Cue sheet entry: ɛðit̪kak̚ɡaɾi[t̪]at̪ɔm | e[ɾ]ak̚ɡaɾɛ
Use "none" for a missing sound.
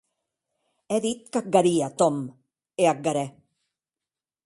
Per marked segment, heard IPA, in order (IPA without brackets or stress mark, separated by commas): none, none